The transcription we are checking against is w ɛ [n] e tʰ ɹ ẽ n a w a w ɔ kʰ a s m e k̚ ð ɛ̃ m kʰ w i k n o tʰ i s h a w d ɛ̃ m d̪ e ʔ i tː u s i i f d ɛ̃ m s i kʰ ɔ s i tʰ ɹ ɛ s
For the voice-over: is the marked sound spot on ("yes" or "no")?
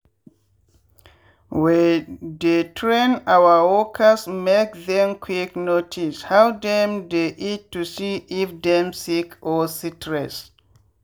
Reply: no